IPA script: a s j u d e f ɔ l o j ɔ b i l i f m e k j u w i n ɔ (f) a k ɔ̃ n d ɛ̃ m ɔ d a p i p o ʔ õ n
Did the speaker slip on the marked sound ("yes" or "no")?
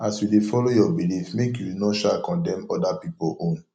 yes